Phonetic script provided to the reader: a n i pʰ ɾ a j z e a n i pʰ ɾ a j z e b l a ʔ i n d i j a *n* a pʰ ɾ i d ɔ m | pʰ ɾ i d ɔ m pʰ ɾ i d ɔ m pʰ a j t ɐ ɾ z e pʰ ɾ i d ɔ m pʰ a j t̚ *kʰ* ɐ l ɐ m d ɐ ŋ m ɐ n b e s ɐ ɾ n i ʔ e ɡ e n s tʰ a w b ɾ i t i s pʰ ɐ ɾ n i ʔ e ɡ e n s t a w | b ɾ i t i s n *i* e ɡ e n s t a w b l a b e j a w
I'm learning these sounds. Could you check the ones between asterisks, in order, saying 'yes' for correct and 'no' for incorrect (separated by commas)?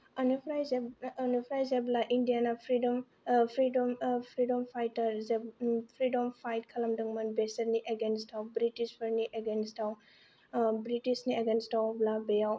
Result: yes, yes, yes